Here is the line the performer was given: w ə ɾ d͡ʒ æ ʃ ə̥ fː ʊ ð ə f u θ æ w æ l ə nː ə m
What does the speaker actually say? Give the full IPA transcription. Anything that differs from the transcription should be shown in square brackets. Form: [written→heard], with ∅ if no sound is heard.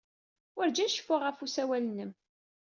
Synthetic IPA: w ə ɾ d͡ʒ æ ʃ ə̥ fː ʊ [ð→ʁ] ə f u [θ→s] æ w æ l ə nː ə m